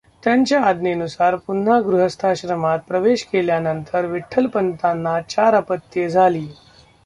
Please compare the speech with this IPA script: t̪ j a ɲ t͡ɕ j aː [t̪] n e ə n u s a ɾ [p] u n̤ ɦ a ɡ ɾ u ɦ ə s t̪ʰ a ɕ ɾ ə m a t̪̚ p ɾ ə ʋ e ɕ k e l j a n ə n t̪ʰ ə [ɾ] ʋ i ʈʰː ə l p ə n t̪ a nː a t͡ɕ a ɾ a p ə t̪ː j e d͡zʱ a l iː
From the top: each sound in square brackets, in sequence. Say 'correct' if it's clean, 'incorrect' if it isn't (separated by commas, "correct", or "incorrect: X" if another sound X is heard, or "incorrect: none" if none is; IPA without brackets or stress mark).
incorrect: d̪, correct, correct